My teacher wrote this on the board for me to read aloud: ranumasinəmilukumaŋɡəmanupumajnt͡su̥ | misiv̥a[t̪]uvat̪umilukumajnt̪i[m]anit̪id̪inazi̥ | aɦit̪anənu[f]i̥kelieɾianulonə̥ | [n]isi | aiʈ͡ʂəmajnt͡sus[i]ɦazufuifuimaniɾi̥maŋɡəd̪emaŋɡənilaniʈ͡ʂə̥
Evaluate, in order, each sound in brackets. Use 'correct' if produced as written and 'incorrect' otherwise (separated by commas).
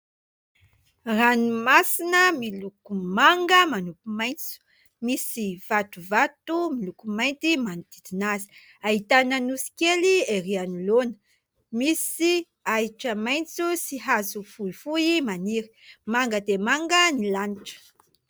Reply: correct, correct, incorrect, incorrect, correct